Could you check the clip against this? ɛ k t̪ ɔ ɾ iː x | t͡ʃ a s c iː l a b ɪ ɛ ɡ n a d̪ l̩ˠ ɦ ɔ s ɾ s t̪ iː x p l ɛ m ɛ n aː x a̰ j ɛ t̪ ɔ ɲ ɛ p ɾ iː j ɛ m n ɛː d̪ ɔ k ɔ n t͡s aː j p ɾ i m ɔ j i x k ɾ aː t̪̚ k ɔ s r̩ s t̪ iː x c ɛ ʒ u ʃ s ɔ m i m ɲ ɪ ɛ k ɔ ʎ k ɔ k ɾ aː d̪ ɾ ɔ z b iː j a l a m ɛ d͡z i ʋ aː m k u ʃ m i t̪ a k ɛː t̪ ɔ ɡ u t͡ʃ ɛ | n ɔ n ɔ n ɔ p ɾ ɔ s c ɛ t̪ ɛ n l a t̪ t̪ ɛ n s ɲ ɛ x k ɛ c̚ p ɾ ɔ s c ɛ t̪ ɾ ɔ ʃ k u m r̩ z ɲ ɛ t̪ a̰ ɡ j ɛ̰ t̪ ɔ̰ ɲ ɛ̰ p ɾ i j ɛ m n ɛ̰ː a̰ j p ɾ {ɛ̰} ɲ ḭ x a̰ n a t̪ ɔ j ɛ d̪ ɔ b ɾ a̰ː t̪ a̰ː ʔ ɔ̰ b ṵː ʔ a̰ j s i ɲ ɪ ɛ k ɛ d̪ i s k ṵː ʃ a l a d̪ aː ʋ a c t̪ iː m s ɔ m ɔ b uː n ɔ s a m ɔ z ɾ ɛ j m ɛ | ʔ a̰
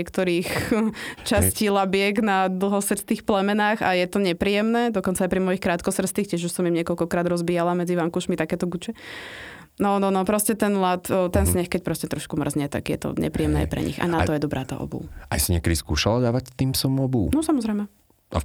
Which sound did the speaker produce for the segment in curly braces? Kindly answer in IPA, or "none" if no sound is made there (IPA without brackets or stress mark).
ɛ̰